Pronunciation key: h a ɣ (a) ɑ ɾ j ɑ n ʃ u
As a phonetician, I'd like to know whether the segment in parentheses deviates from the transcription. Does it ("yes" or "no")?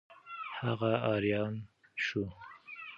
no